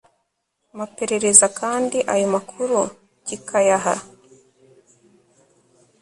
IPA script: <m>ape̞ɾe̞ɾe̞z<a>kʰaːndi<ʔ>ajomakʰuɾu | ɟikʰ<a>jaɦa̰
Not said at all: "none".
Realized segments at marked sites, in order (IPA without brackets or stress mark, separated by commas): m, a, ʔ, a